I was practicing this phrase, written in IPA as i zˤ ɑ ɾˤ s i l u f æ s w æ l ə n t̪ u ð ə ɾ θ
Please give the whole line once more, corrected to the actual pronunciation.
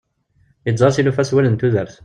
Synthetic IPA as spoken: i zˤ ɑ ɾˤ s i l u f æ s w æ l ə n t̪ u ð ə ɾ θ

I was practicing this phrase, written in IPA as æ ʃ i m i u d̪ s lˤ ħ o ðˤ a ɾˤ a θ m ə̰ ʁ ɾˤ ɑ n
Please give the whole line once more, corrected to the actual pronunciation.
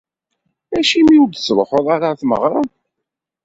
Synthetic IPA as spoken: æ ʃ i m i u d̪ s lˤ ħ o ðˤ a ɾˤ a θ m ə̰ ʁ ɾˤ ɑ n

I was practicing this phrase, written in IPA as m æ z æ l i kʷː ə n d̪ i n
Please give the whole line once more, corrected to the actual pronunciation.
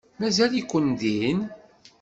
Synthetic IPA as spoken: m æ z æ l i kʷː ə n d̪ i n

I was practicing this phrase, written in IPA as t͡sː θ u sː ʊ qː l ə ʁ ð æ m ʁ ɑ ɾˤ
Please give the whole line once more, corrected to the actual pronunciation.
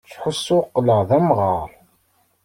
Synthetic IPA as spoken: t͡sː ħ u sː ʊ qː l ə ʁ ð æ m ʁ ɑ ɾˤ

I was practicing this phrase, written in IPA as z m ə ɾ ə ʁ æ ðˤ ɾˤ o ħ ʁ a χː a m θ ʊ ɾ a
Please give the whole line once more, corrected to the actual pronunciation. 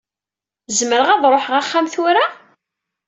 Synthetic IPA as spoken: z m ə ɾ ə ʁ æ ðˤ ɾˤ o ħ ʁ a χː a m θ ʊ ɾ a

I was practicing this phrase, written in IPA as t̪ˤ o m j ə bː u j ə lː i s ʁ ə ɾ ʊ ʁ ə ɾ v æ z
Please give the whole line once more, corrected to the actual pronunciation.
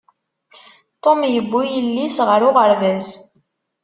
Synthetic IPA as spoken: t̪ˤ o m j ə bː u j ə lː i s ʁ ə ɾ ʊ ʁ ə ɾ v æ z

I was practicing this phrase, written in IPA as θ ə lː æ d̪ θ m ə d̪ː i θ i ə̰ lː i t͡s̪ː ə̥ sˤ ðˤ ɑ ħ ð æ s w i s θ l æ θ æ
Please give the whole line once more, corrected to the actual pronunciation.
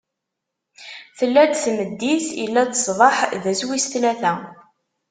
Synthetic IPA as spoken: θ ə lː æ d̪ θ m ə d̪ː i θ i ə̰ lː æ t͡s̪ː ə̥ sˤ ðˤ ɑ ħ ð æ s w i s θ l æ θ æ

